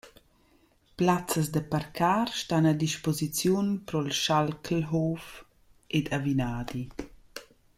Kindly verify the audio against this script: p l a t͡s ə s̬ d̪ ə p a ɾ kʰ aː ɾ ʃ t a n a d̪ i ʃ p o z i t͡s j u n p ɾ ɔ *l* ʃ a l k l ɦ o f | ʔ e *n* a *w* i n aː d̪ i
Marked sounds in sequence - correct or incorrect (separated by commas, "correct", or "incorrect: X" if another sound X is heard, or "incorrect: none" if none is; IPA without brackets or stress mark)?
correct, incorrect: d, incorrect: v